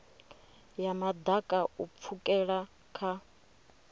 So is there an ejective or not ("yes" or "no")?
yes